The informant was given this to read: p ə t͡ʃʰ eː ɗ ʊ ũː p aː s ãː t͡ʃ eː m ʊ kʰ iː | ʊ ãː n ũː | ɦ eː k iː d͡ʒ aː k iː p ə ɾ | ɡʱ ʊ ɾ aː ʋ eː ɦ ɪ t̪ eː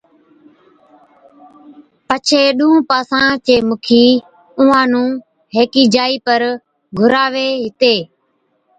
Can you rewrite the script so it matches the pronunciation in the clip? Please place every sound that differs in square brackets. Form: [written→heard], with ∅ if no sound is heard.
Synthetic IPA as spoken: p ə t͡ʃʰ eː ɗ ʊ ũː p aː s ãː t͡ʃ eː m ʊ kʰ iː | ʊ ãː n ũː | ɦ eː k iː d͡ʒ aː [k→∅] iː p ə ɾ | ɡʱ ʊ ɾ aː ʋ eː ɦ ɪ t̪ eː